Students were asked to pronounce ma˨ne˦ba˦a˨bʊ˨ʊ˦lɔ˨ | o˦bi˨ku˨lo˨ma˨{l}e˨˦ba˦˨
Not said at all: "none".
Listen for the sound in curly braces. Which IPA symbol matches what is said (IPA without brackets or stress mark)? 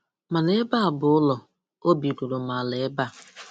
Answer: l